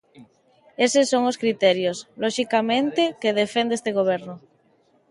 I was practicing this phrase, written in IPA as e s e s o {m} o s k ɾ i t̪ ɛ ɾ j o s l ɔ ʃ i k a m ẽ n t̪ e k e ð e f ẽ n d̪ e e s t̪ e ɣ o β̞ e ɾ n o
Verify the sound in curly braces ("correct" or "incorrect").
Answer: incorrect